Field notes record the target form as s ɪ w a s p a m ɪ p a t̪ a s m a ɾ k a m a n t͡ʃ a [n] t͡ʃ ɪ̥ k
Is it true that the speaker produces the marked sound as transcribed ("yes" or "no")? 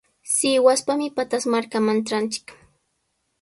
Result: yes